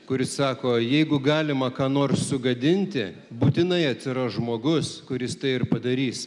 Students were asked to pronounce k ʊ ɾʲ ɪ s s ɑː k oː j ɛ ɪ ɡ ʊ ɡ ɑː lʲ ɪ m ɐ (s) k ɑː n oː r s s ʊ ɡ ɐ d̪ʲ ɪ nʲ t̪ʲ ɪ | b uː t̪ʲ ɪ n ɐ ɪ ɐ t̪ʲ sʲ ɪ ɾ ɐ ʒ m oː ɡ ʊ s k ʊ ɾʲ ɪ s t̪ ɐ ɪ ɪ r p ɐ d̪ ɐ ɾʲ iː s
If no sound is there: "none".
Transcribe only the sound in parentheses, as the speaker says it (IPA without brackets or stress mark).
none